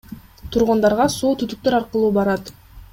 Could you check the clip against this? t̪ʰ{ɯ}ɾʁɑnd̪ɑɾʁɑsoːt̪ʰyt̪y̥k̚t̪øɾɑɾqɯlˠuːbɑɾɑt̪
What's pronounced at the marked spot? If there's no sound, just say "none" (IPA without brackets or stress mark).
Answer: u